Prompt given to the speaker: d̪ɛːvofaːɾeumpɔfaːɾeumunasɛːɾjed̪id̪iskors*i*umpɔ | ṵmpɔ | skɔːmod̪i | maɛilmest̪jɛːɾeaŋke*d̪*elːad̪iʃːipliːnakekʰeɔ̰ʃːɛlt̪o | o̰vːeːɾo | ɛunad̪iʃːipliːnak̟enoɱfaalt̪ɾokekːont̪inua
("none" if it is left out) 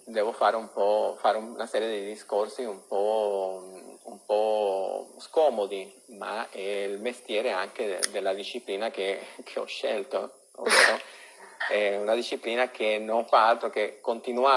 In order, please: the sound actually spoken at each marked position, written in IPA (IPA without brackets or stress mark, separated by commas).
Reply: i, d̪